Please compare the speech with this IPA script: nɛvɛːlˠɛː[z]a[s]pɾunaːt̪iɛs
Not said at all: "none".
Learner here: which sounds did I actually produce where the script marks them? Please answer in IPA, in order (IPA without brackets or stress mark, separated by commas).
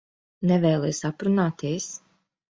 s, none